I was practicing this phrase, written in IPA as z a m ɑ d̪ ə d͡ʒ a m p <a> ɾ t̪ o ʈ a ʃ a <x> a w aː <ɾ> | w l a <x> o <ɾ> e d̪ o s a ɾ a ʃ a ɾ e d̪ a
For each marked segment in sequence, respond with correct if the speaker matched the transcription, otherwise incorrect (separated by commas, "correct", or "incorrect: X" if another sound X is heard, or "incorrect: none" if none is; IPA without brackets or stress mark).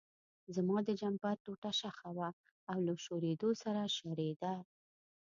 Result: correct, correct, incorrect: none, incorrect: ʃ, correct